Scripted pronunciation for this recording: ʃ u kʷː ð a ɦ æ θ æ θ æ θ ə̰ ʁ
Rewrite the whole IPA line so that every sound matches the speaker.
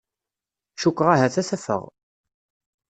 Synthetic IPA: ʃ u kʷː ʁ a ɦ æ θ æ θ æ f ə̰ ʁ